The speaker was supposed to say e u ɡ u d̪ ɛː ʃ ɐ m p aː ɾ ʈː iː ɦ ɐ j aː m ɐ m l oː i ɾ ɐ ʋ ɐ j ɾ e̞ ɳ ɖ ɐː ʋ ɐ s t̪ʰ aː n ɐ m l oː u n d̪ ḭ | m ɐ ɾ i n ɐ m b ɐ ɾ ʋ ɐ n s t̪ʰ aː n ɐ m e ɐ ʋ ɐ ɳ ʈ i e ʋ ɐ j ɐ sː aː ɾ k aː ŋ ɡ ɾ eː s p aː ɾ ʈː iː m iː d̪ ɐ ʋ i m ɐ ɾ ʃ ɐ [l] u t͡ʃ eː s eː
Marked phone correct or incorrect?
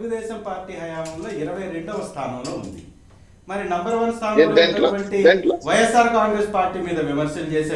correct